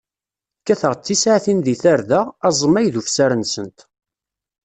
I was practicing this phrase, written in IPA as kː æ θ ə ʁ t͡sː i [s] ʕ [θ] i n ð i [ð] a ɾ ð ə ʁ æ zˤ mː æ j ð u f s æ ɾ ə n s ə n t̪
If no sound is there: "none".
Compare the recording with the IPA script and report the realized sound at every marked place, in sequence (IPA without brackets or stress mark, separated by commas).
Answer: s, θ, θ